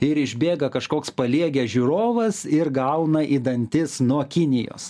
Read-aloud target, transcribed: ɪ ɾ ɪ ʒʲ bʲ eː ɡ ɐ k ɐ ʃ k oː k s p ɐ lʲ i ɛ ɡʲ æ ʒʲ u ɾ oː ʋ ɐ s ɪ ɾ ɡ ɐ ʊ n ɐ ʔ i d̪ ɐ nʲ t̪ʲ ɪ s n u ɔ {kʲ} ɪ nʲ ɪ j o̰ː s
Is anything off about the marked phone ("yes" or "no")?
no